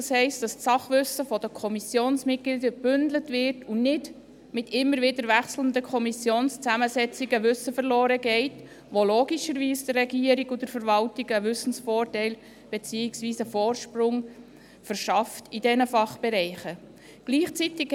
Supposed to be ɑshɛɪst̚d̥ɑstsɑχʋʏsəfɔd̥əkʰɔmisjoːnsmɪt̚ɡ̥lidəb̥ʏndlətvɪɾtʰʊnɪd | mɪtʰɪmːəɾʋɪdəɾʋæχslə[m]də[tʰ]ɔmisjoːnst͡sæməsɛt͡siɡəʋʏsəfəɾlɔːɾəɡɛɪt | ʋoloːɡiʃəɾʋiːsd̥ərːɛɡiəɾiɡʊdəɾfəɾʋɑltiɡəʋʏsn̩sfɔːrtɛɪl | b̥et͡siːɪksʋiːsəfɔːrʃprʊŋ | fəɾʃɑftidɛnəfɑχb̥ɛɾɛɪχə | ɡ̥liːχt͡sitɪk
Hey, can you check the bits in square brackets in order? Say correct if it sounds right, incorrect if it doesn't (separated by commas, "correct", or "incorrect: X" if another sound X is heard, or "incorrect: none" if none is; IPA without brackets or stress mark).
incorrect: n, incorrect: kʰ